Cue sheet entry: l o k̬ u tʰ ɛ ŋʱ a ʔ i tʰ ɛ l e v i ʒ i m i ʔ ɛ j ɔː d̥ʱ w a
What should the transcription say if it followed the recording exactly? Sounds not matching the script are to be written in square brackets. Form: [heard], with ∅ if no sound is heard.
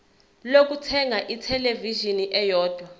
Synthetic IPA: l o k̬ u tʰ ɛ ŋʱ a ʔ i tʰ ɛ l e v i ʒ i [n] i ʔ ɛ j ɔː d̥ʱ w a

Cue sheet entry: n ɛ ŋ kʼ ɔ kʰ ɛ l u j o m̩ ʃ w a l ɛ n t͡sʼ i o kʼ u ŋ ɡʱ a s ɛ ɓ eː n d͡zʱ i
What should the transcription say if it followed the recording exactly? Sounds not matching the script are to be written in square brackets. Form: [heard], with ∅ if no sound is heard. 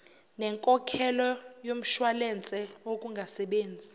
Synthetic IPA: n ɛ ŋ kʼ ɔ kʰ ɛ l [ɔ] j o m̩ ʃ w a l ɛ n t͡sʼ [ɛ] o kʼ u ŋ ɡʱ a s ɛ ɓ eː n d͡zʱ i

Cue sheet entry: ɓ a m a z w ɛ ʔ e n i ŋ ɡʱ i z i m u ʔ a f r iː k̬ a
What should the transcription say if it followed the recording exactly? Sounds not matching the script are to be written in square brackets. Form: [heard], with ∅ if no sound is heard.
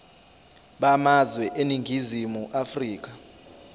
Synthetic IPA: ɓ a m a z w ɛ ʔ e n i ŋ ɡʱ i z i m u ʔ a f r iː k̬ a

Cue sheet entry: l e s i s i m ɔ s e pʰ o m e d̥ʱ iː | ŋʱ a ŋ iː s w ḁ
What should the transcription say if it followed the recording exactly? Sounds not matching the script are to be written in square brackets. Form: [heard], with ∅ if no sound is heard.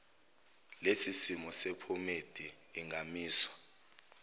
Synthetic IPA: l e s i s i m ɔ s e pʰ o m e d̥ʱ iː | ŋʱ a [m] iː s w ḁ

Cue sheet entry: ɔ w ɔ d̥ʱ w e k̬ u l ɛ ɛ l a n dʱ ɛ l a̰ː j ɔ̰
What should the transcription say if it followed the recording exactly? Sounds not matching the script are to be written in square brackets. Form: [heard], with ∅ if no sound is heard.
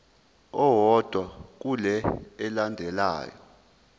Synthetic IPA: ɔ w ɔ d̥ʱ w [a] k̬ u l ɛ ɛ l a n dʱ ɛ l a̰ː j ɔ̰

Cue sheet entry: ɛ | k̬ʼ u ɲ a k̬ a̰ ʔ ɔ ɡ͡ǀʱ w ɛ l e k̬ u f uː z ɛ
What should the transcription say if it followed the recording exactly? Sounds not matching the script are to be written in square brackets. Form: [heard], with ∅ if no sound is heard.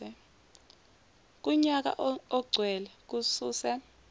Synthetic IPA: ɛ | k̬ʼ u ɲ a k̬ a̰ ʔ ɔ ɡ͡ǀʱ w ɛ l [ɛ] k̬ u [s] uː [s] ɛ

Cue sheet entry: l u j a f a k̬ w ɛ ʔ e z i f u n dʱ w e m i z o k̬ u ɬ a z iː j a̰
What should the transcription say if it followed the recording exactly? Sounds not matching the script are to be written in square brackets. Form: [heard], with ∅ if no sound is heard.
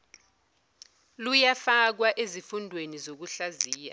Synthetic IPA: l u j a f a k̬ w [a] ʔ e z i f u n dʱ w e [n] i z o k̬ u ɬ a z iː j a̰

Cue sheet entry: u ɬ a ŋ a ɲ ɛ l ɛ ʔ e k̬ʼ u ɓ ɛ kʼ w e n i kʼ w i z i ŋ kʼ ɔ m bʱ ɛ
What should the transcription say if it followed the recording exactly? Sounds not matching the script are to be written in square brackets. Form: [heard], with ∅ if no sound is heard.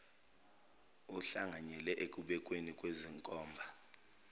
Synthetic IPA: u ɬ a ŋ a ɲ ɛ l ɛ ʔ e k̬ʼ u ɓ ɛ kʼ w e n i kʼ w [e] z i ŋ kʼ [ɔː] m bʱ [a]

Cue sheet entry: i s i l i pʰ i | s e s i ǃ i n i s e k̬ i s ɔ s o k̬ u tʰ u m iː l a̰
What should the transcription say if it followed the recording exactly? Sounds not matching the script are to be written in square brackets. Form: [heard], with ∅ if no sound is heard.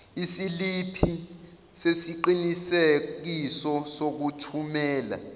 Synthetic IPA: i s i l i pʰ i | s e s i ǃ i n i s e k̬ i s ɔ s o k̬ u tʰ u m [ɛː] l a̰

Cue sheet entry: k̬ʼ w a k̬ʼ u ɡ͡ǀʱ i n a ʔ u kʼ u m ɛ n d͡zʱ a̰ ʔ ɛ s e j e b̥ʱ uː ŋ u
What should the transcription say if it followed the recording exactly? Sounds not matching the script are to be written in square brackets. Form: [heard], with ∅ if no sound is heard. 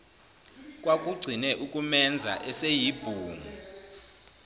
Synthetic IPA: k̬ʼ w a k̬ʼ u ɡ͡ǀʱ i n [ɛ] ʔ u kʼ u m ɛ n d͡zʱ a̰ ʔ ɛ s e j [i] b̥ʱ uː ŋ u

